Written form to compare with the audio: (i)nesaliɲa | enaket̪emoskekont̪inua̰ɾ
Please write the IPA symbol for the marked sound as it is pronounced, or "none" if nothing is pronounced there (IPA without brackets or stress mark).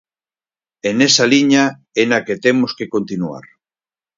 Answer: e